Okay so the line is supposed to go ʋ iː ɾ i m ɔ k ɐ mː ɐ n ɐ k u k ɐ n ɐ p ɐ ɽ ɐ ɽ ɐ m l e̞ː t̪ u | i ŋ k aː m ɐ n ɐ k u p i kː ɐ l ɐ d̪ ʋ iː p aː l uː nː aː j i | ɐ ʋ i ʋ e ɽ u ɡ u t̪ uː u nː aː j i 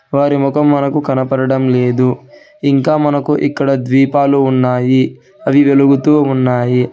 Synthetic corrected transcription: ʋ aː ɾ i m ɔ k ɐ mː ɐ n ɐ k u k ɐ n ɐ p ɐ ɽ ɐ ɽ ɐ m l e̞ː d̪ u | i ŋ k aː m ɐ n ɐ k u ʔ i kː ɐ ɽ ɐ d̪ ʋ iː p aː l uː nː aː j i | ɐ ʋ i ʋ e l u ɡ u t̪ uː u nː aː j i